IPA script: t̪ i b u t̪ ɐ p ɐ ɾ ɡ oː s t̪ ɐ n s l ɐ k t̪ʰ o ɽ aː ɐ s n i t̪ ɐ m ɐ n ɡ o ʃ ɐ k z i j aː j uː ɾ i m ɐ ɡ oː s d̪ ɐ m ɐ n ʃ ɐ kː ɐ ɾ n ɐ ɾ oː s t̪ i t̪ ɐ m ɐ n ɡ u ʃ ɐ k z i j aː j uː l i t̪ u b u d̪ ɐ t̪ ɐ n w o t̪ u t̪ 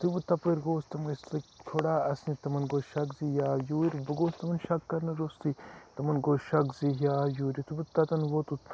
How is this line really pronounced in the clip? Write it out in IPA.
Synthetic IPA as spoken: t̪ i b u t̪ ɐ p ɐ ɾ ɡ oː s t̪ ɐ m s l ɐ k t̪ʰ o ɽ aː ɐ s n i t̪ ɐ m ɐ n ɡ o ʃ ɐ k z i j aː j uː ɾ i b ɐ ɡ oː s t̪ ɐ m ɐ n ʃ ɐ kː ɐ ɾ n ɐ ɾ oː s t̪ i t̪ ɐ m ɐ n ɡ o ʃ ɐ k z i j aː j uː ɾ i t̪ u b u t̪ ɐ t̪ ɐ n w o t̪ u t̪